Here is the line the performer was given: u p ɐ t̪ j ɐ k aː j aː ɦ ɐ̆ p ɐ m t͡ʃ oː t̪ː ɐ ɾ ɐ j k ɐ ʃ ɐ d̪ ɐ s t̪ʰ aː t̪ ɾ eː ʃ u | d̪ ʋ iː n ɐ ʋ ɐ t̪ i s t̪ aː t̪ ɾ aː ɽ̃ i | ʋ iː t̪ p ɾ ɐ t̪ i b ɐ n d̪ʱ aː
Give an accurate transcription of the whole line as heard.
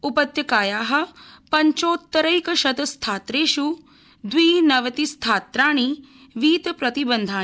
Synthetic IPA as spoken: u p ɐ t̪ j ɐ k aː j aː ɦ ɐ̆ p ɐ ɲ t͡ʃ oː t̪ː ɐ ɾ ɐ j k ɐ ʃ ɐ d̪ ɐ s t̪ʰ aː t̪ ɾ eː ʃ u | d̪ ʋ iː n ɐ ʋ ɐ t̪ i s t̪ʰ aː t̪ ɾ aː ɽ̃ i | ʋ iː t̪ p ɾ ɐ t̪ i b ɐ n d̪ʱ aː